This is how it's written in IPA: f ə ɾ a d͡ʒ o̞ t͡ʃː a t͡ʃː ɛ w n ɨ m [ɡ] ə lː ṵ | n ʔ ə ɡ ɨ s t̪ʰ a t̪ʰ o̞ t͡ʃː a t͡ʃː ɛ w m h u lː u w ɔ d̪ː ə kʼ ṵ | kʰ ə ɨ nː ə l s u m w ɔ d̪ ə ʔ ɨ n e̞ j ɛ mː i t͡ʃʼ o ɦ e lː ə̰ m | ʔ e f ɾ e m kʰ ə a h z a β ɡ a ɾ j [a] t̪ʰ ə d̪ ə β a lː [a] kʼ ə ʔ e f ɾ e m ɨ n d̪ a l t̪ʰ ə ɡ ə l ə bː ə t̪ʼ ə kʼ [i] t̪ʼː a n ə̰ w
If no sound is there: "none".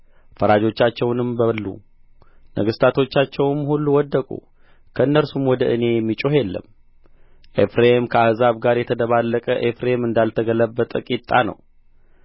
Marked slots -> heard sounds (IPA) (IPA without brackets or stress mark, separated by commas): b, ɛ, ə, i